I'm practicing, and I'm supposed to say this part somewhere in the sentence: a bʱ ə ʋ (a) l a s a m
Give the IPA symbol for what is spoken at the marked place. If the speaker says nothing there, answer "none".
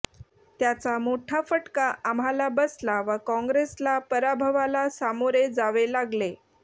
a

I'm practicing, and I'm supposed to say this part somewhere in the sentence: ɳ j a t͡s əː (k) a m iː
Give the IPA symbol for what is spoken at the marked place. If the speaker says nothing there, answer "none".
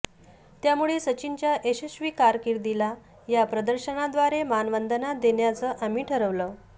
ʔ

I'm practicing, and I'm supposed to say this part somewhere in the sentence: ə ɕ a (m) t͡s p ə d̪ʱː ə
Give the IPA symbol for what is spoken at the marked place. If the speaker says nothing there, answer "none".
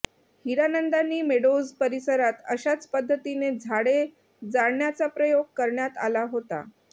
none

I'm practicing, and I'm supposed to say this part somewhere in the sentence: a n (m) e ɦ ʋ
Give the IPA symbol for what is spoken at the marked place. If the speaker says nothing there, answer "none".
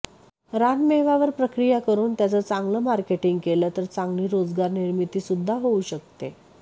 m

